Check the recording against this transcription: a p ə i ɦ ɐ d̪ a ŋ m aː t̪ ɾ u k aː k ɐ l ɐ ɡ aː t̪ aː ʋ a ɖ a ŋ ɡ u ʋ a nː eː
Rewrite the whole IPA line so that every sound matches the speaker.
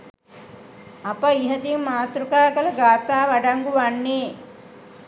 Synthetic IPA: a p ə i ɦ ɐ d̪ i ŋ m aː t̪ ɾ u k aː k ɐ l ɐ ɡ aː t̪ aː ʋ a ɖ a ŋ ɡ u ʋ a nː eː